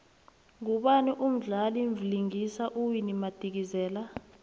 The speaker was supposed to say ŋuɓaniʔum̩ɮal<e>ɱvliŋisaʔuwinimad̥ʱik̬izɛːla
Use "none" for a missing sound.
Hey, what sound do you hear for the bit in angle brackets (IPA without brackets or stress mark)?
i